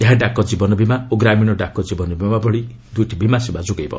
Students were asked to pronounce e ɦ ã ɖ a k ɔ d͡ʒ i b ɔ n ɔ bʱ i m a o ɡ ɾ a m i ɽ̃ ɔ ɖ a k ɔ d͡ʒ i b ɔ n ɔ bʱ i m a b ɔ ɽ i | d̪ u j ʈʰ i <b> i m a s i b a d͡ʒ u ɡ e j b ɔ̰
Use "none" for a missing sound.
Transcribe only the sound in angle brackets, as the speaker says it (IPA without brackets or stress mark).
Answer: b